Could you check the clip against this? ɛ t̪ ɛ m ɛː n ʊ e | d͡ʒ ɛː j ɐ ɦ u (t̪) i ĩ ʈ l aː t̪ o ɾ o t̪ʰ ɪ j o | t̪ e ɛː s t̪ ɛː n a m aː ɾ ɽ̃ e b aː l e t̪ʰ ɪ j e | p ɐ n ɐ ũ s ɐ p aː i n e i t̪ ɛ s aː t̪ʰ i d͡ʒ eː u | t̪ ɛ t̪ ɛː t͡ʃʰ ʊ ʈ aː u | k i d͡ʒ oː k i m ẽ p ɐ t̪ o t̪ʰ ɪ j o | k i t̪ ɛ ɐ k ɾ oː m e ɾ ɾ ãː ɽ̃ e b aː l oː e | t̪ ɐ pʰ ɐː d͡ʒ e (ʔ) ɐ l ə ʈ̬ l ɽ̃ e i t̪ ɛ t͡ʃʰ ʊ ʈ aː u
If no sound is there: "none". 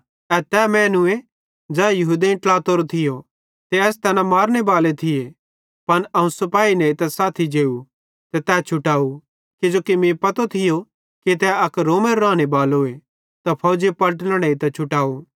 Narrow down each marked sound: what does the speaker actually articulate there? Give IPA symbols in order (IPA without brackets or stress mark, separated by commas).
d̪, p